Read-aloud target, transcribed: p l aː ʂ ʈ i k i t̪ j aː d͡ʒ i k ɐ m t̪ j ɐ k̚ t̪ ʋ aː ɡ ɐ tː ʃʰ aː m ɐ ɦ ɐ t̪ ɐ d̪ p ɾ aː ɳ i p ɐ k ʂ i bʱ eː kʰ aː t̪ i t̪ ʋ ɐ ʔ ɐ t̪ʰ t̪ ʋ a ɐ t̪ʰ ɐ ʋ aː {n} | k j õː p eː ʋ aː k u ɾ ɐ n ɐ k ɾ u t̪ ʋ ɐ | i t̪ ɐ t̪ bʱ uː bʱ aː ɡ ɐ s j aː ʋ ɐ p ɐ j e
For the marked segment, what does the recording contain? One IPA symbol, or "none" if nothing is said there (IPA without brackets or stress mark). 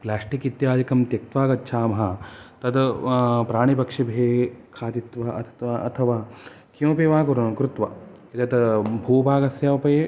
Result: none